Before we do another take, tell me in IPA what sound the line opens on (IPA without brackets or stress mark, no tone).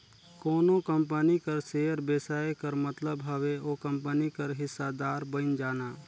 k